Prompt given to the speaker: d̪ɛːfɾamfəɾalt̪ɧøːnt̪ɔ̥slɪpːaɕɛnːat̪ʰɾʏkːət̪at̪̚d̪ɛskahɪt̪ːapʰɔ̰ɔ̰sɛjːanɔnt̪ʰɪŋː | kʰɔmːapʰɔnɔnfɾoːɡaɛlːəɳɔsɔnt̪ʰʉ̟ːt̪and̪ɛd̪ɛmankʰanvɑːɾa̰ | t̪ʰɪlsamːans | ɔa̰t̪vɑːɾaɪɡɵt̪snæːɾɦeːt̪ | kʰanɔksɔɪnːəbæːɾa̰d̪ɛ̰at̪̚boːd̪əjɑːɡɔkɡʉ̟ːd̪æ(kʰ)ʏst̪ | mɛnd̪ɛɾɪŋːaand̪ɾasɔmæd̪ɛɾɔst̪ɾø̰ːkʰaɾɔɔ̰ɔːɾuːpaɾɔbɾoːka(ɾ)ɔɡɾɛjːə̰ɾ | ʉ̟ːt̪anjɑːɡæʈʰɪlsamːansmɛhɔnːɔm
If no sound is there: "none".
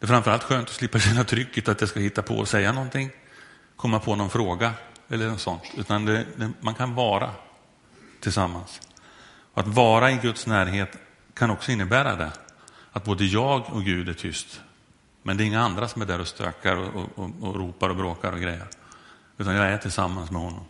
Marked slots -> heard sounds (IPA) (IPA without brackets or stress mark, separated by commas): ʈʰ, ɾ